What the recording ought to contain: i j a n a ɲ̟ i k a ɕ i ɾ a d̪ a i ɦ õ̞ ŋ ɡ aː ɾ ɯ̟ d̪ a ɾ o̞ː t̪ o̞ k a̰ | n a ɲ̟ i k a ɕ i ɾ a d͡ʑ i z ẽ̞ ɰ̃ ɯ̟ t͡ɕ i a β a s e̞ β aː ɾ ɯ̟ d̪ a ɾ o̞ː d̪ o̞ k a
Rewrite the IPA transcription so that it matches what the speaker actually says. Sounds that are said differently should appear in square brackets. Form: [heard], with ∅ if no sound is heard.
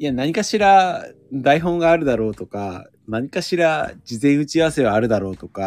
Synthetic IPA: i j a n a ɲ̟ i k a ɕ i ɾ a d̪ a i ɦ õ̞ ŋ ɡ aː ɾ ɯ̟ d̪ a ɾ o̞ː t̪ o̞ k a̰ | n a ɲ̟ i k a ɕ i ɾ a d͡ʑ i z ẽ̞ ɰ̃ ɯ̟ t͡ɕ i a β a s e̞ β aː ɾ ɯ̟ d̪ a ɾ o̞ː [t̪] o̞ k a